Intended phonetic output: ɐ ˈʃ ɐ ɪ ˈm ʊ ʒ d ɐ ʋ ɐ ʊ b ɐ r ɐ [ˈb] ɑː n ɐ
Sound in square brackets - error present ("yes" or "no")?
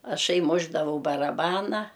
no